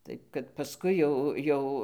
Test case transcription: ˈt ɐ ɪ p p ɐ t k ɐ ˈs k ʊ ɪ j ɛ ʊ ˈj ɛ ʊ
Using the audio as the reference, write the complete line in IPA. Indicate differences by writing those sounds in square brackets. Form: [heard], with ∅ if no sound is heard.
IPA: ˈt ɐ ɪ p [k] ɐ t [p] ɐ ˈs k ʊ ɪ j ɛ ʊ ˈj ɛ ʊ